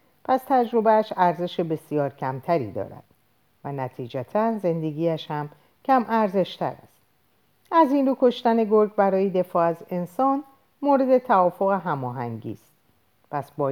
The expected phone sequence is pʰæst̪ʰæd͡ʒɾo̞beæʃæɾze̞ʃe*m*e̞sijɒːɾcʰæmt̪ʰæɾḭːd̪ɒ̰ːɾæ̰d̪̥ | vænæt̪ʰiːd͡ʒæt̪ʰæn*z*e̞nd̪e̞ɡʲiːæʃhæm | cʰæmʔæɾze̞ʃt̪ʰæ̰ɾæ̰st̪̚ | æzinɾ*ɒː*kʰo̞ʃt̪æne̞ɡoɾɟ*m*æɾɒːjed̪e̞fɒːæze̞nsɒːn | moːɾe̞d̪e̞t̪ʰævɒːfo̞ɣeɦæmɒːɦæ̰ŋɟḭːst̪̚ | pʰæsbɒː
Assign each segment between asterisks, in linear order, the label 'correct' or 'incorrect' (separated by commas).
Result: incorrect, correct, incorrect, incorrect